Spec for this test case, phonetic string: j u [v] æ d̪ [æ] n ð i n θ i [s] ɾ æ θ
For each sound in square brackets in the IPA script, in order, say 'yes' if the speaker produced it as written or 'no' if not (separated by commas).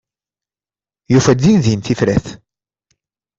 no, no, no